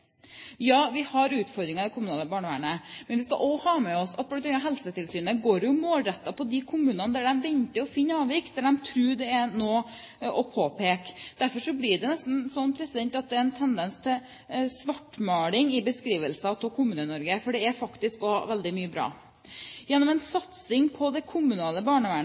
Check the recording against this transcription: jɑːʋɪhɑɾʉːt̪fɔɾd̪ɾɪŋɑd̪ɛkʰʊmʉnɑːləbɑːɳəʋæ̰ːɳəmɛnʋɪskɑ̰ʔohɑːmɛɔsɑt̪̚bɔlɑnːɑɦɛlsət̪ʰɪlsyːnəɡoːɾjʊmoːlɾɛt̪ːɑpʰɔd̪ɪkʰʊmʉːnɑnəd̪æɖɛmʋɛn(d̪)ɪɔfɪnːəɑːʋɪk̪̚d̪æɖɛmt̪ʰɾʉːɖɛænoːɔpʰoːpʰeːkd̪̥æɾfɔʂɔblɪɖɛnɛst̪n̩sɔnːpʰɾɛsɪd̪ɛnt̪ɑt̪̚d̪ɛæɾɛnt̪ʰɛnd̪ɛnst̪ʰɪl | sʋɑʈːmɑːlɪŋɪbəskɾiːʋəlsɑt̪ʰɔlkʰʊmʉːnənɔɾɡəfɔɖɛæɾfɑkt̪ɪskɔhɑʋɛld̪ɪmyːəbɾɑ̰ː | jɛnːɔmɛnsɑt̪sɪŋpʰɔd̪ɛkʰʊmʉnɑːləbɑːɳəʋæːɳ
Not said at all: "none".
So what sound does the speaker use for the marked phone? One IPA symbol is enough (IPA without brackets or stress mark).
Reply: t̪